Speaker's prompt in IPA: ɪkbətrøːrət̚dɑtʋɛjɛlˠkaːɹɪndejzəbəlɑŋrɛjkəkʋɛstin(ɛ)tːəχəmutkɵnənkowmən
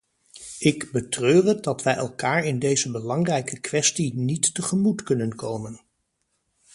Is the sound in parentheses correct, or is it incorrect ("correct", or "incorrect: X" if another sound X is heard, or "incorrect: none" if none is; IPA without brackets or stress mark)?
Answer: incorrect: i